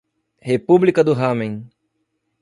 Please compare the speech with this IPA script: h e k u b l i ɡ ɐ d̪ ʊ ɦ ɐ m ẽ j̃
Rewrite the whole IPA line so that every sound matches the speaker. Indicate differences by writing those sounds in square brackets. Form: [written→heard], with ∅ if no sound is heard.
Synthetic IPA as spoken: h e [k→p] u b l i [ɡ→k] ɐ d̪ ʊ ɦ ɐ m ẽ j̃